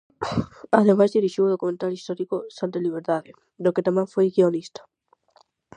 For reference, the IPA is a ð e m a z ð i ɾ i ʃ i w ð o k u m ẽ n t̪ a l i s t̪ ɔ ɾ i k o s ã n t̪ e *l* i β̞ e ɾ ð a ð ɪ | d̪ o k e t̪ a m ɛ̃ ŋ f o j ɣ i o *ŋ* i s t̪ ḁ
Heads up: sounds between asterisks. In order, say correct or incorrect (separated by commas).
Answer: correct, incorrect